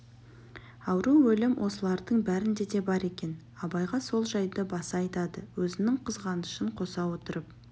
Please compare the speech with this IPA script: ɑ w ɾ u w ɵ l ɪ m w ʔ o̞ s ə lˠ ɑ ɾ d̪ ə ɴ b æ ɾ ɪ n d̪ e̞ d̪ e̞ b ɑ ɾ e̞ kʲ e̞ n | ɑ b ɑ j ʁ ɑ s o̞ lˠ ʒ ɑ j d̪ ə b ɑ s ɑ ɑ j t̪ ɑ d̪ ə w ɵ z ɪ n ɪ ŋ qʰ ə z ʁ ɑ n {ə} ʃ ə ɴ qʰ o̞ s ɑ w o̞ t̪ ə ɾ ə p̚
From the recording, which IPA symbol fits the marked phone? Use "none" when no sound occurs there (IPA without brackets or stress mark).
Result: ə